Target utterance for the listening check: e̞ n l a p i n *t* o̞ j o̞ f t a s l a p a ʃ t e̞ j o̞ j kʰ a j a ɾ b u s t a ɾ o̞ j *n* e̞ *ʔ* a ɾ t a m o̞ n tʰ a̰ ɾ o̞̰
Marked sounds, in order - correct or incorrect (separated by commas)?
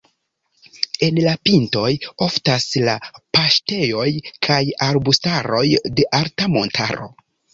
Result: correct, incorrect, correct